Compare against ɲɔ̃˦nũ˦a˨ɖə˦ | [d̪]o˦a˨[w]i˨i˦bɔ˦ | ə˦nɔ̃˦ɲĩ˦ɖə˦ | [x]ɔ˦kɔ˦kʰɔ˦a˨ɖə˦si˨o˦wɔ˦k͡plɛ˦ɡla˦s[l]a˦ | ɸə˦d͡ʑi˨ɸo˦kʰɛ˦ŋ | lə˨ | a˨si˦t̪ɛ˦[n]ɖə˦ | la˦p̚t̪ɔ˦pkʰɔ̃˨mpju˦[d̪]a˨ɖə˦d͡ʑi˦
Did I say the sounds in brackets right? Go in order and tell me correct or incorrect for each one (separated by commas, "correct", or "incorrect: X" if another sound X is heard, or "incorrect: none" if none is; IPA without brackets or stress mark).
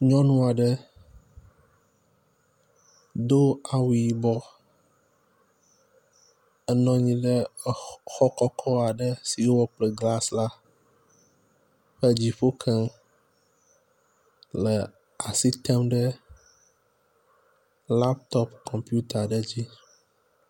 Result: correct, correct, correct, correct, incorrect: m, incorrect: t̪